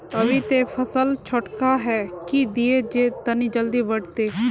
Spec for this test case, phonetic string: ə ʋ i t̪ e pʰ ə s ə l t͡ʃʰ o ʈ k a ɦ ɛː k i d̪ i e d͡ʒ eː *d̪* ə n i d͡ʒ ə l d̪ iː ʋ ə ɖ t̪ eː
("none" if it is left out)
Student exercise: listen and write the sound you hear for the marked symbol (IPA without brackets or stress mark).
t̪